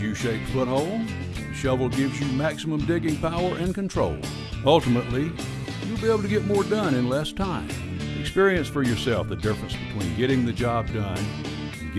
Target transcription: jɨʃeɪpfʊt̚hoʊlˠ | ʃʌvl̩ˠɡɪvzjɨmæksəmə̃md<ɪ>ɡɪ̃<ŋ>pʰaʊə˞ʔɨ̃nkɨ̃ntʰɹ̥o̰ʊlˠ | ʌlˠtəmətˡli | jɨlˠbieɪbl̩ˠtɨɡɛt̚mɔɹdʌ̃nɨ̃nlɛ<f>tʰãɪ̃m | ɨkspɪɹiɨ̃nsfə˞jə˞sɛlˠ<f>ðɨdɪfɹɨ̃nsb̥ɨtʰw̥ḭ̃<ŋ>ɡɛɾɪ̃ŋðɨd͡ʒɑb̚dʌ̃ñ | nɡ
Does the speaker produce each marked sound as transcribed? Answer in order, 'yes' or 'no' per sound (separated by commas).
yes, yes, no, yes, no